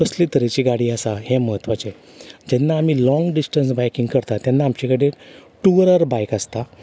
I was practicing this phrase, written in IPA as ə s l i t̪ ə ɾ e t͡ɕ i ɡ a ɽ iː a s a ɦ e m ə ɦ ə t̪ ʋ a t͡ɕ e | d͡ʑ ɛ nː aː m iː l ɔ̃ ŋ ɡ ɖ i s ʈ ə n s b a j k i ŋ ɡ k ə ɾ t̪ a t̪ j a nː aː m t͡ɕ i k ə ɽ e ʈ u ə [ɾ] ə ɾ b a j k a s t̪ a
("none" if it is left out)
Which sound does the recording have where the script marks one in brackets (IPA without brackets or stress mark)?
ɾ